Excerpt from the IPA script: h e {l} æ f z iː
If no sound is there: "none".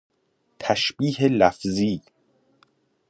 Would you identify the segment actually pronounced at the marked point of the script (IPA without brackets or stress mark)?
l